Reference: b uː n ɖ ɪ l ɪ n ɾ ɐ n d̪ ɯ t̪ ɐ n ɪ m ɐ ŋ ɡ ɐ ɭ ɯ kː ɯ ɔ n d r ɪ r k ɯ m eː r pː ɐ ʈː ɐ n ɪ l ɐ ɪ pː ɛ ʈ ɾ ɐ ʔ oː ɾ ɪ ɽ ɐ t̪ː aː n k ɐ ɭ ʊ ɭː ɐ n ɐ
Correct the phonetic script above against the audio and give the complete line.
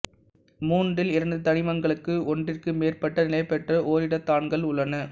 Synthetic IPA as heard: m uː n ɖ ɪ l ɪ ɾ ɐ n d̪ ɯ t̪ ɐ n ɪ m ɐ ŋ ɡ ɐ ɭ ɯ kː ɯ ɔ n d r ɪ r k ɯ m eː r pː ɐ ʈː ɐ n ɪ l ɐ ɪ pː ɛ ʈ r ɐ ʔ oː ɾ ɪ ɽ ɐ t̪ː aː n ɡ ɐ ɭ ʊ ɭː ɐ n ɐ